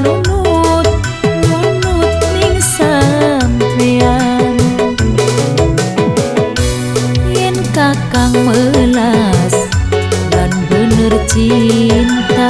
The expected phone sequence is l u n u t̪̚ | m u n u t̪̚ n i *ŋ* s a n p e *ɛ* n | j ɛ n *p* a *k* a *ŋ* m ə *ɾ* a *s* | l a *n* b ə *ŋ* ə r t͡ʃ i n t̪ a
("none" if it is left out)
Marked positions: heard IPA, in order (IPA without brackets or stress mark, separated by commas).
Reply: ŋ, a, k, k, ŋ, l, s, n, n